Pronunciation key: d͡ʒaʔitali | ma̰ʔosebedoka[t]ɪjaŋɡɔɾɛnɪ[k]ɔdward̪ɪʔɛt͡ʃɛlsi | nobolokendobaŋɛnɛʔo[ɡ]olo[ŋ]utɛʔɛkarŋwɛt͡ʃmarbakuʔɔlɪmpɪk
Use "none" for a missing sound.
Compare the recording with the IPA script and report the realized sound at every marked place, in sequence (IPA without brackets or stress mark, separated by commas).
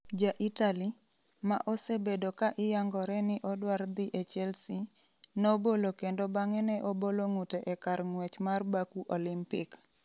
ʔ, ʔ, b, ŋ